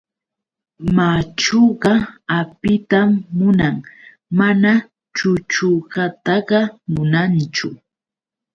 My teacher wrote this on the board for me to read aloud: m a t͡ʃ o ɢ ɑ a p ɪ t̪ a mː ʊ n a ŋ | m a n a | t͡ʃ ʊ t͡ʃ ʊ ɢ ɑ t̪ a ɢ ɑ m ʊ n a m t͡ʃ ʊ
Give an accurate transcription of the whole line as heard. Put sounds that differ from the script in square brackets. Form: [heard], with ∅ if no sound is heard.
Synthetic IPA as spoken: m a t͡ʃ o ɢ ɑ a p ɪ t̪ a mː ʊ n a ŋ | m a n a | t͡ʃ ʊ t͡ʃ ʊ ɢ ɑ t̪ [ɑ] ɢ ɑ m ʊ n a [n] t͡ʃ ʊ